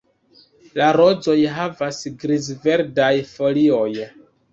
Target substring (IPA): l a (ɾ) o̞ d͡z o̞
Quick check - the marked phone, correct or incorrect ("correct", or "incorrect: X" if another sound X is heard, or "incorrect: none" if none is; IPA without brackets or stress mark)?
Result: correct